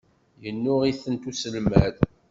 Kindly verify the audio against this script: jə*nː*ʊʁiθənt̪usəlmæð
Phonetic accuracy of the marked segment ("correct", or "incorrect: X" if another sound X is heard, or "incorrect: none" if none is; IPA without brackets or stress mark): correct